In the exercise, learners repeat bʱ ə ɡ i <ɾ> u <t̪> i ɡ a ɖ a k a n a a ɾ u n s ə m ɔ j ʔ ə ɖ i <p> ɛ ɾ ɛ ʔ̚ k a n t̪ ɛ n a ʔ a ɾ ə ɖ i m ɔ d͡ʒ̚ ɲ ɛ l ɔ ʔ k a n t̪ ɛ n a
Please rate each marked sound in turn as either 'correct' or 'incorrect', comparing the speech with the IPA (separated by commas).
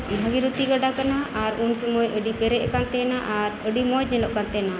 correct, correct, correct